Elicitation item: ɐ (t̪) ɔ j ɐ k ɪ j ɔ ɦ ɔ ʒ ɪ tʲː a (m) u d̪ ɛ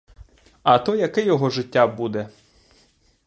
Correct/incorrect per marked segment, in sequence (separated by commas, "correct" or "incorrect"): correct, incorrect